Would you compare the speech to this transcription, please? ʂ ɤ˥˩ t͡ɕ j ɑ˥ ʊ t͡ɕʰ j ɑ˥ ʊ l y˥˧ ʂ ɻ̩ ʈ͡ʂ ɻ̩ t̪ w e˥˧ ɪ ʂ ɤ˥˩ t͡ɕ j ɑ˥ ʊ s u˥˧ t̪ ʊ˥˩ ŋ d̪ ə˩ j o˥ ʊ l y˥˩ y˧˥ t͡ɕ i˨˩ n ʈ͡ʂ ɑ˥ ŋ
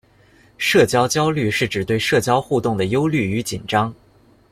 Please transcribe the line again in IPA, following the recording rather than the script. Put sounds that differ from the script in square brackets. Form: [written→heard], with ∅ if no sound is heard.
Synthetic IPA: ʂ ɤ˥˩ t͡ɕ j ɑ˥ ʊ [t͡ɕʰ→t͡ɕ] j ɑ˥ ʊ l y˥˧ ʂ ɻ̩ ʈ͡ʂ ɻ̩ t̪ w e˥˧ ɪ ʂ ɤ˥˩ t͡ɕ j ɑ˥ ʊ [s→x] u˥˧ t̪ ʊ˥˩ ŋ d̪ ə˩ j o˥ ʊ l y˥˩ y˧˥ t͡ɕ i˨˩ n ʈ͡ʂ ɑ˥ ŋ